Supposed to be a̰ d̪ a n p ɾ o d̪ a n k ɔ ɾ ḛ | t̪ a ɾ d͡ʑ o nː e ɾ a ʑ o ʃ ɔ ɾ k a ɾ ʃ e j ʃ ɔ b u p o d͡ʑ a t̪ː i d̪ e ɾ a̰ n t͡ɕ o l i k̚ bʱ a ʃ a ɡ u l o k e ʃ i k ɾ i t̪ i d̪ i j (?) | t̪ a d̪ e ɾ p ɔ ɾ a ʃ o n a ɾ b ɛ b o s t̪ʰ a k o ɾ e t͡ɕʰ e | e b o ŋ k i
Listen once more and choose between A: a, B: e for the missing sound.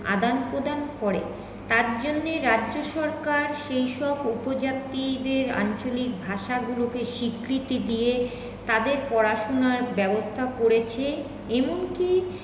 B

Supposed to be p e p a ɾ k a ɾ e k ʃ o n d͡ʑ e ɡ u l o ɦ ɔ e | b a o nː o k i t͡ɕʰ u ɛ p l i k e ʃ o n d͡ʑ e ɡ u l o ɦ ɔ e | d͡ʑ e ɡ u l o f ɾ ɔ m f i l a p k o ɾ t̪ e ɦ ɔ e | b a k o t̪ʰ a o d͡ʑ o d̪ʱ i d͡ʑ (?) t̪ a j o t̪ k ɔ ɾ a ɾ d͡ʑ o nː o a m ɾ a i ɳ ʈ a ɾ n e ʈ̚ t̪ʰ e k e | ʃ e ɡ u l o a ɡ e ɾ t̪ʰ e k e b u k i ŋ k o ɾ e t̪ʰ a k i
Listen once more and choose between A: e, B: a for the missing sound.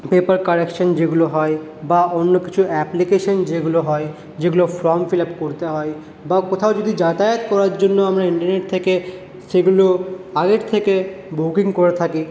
B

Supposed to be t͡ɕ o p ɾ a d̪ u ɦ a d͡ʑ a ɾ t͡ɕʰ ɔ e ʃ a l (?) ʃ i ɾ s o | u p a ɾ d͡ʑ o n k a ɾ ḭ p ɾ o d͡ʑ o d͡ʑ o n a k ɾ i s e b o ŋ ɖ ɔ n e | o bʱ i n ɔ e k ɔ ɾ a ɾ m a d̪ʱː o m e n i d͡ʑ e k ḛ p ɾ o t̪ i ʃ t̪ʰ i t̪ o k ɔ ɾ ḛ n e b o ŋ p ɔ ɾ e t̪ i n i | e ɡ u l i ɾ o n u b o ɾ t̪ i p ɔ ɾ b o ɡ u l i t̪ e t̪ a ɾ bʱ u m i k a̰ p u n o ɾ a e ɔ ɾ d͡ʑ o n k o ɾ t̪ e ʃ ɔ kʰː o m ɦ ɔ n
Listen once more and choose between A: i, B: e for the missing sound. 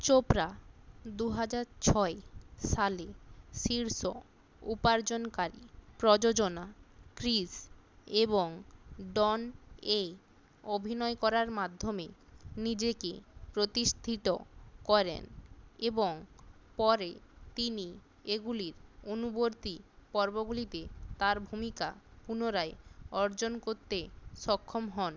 B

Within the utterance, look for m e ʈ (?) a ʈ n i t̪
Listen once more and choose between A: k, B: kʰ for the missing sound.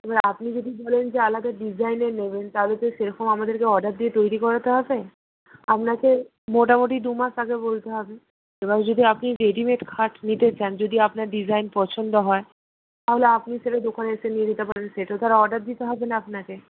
B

